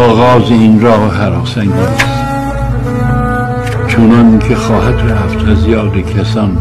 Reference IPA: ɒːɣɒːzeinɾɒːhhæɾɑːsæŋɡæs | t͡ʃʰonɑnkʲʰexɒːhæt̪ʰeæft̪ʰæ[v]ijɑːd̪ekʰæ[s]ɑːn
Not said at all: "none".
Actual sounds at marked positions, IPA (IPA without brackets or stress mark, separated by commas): z, s